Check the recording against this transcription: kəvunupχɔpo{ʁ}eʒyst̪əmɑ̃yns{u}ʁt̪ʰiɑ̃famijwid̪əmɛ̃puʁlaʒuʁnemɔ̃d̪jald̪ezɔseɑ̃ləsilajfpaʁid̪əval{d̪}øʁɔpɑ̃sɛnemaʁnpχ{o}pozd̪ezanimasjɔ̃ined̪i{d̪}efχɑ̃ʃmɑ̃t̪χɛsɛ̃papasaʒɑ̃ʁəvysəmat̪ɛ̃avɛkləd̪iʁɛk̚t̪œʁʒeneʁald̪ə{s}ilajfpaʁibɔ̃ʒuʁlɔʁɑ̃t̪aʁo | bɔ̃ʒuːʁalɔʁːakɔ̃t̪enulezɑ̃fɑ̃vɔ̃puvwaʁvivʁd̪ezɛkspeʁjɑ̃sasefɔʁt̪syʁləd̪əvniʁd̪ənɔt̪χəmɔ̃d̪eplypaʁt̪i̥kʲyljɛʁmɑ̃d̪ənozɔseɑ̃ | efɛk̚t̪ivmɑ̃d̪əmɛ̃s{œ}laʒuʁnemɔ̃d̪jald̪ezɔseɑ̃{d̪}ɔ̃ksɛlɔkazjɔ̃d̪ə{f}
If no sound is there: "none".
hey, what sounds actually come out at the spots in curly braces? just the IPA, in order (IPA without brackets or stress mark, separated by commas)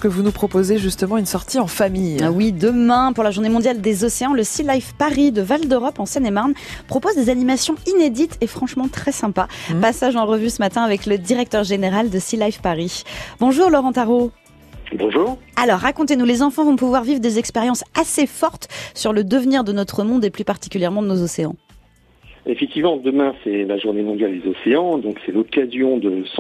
z, ɔ, d̪, ɔ, t̪, s, ɛ, d̪, s